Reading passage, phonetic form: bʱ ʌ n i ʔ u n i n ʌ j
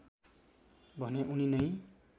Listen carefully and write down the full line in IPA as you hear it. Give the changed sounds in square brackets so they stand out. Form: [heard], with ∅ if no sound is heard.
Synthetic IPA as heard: bʱ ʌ n [e] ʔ u n i n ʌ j